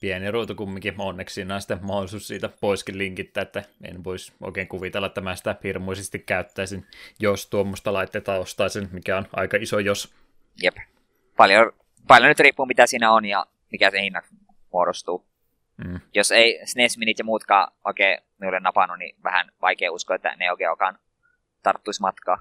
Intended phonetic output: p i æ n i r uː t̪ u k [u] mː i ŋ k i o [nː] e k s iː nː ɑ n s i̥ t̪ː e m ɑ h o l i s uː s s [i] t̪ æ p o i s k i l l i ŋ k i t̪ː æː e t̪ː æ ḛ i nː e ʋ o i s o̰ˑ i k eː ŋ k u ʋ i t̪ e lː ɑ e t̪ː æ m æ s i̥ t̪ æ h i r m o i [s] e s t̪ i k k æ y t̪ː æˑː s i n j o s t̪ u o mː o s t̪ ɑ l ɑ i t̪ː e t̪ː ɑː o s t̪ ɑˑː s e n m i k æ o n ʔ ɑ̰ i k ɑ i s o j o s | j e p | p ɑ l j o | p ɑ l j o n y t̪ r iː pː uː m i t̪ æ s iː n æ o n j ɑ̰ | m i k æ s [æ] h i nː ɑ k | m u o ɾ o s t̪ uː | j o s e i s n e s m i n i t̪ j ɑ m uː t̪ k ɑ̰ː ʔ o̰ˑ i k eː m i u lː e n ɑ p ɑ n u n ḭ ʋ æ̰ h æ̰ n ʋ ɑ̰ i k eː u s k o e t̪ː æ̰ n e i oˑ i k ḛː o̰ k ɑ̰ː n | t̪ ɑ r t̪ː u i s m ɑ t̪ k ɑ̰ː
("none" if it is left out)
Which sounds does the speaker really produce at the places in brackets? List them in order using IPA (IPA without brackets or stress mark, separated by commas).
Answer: u, nː, iː, s, e